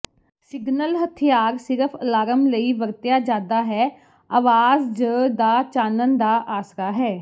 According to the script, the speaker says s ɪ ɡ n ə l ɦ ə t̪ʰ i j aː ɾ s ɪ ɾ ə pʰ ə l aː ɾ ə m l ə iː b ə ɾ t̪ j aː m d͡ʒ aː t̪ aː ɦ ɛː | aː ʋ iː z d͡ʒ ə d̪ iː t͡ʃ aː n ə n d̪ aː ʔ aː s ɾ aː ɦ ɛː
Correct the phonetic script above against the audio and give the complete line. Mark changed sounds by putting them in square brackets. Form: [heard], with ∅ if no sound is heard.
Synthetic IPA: s ɪ ɡ n ə l ɦ ə t̪ʰ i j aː ɾ s ɪ ɾ ə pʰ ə l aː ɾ ə m l ə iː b ə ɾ t̪ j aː [∅] d͡ʒ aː [d̪] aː ɦ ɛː | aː ʋ [aː] z d͡ʒ ə d̪ [aː] t͡ʃ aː n ə n d̪ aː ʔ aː s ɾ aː ɦ ɛː